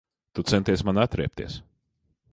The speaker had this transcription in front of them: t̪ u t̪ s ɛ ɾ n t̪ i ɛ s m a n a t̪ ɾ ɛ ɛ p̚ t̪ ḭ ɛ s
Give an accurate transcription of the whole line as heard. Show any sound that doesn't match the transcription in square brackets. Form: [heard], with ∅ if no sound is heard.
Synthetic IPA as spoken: t̪ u t̪ s ɛ [∅] n t̪ i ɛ s m a n a t̪ ɾ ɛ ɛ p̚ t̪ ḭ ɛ s